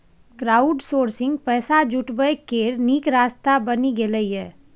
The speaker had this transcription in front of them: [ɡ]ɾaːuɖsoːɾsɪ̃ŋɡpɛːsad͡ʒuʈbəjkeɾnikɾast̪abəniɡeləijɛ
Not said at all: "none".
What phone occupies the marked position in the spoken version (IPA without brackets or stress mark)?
k